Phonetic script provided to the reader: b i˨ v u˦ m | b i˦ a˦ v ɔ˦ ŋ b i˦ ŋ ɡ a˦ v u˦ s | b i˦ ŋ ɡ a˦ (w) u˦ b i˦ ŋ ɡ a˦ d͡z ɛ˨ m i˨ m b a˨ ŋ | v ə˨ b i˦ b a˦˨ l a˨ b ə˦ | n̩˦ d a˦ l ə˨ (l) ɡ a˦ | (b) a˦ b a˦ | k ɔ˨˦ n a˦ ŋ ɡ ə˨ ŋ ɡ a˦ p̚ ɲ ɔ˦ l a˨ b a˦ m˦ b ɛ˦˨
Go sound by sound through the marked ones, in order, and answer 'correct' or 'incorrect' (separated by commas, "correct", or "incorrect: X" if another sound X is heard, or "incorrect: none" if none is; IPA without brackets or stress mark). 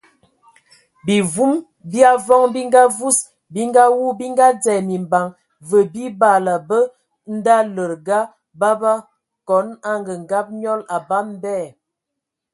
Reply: correct, incorrect: ɾ, correct